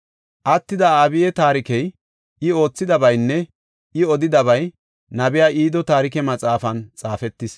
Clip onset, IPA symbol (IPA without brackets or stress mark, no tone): ʔ